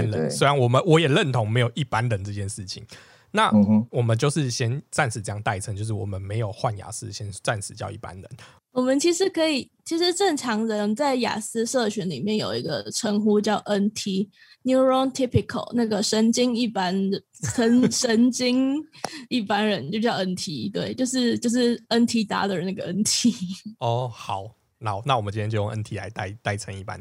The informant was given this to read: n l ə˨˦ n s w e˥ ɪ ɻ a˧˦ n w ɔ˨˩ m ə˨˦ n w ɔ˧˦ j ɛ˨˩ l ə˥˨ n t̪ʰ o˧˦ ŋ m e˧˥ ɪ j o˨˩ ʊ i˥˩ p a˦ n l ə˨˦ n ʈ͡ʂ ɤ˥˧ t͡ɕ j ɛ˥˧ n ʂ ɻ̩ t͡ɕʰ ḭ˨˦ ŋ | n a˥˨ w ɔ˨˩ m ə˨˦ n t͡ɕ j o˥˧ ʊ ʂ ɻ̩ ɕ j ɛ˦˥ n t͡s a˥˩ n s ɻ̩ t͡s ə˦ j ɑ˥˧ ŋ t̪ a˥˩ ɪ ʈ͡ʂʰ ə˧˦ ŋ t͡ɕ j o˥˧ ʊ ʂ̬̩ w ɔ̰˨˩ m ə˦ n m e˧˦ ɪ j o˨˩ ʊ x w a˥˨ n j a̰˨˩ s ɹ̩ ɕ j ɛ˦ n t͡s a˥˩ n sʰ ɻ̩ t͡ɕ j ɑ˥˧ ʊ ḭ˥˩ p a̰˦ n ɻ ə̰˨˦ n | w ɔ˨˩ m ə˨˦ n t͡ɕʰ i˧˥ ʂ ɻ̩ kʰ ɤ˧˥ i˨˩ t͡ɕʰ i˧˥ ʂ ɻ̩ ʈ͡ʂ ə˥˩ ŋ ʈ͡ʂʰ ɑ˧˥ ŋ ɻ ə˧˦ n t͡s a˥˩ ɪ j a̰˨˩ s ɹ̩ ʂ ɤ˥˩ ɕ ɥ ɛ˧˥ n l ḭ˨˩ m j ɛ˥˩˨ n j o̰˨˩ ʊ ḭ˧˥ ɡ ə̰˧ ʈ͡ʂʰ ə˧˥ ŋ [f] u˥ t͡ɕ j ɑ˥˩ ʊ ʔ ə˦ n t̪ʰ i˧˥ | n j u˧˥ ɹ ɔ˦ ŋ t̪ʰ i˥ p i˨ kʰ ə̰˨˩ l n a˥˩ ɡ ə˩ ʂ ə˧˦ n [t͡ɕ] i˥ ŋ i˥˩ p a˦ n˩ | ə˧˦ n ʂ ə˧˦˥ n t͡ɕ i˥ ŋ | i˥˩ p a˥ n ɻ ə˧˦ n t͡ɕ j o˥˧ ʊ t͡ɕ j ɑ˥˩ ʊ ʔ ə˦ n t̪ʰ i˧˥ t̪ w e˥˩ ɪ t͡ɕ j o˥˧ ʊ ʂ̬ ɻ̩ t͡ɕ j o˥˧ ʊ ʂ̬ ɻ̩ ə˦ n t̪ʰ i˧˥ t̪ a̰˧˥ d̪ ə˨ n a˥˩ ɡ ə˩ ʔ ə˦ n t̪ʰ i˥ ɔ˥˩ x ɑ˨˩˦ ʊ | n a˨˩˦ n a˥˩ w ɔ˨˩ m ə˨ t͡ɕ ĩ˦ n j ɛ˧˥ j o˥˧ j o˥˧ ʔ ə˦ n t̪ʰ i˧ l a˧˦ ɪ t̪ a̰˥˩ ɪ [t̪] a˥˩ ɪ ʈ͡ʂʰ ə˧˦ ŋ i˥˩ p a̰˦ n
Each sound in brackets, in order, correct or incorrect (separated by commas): incorrect, correct, correct